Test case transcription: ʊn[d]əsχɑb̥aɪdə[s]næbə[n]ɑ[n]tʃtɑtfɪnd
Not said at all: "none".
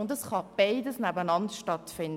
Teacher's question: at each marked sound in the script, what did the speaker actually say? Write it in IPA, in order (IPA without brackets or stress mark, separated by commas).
d, s, n, n